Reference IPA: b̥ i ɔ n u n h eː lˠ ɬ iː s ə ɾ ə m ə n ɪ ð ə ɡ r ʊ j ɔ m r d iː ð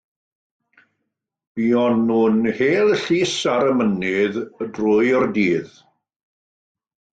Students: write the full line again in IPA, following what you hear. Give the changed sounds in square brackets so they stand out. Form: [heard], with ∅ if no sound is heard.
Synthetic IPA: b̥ i ɔ n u n h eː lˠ ɬ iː s [a] ɾ ə m ə n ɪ ð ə [d] r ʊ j ɔ [∅] r d iː ð

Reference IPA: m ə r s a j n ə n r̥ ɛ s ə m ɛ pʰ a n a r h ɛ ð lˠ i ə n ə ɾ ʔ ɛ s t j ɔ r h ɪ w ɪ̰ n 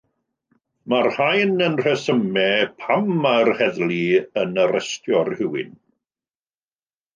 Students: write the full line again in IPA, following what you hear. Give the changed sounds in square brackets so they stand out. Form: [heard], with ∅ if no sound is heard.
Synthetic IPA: m [a] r [h] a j n ə n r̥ ɛ s ə m ɛ pʰ a [m] a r h ɛ ð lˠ i ə n ə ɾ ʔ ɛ s t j ɔ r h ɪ w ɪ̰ n

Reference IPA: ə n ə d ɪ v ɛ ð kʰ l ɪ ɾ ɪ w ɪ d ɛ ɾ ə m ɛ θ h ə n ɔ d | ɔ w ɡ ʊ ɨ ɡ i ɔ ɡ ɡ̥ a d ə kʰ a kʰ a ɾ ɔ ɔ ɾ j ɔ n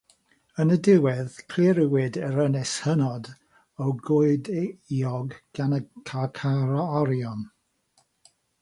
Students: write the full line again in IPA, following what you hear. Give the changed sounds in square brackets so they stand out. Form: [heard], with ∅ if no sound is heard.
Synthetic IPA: ə n ə d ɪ [w] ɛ ð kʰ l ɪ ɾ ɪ w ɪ d ɛ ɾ ə [n] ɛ [s] h ə n ɔ d | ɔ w ɡ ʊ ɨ [d] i ɔ ɡ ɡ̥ a [n] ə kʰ a kʰ a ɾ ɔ ɔ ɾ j ɔ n

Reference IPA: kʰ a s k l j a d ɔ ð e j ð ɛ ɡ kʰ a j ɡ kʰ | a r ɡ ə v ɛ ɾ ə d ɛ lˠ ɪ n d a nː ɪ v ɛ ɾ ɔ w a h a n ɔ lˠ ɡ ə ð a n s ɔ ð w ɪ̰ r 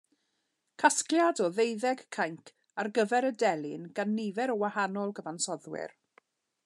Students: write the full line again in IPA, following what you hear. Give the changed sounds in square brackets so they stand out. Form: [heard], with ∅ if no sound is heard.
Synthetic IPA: kʰ a s k l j a d ɔ ð e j ð ɛ ɡ kʰ a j [ŋ] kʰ | a r ɡ ə v ɛ ɾ ə d ɛ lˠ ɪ n [ɡ] a nː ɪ v ɛ ɾ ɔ w a h a n ɔ lˠ ɡ ə [v] a n s ɔ ð w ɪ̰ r

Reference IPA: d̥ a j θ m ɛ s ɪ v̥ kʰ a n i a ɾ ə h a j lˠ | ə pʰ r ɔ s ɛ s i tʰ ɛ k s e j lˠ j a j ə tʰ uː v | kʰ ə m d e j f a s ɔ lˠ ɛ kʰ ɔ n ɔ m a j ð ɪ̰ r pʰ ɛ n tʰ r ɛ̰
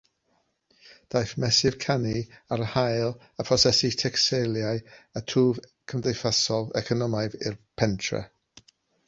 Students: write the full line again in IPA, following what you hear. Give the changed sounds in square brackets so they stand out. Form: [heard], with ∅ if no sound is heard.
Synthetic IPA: d̥ a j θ m ɛ s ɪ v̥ kʰ a n i a ɾ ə h a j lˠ | ə pʰ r ɔ s ɛ s i tʰ ɛ k s e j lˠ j a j ə tʰ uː v | kʰ ə m d e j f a s ɔ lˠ ɛ kʰ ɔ n ɔ m a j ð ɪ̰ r pʰ ɛ n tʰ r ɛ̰

